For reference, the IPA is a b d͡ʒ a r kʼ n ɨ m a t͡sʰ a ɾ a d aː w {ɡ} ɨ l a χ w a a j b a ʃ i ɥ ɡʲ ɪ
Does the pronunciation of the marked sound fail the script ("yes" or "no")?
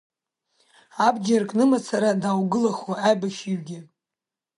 no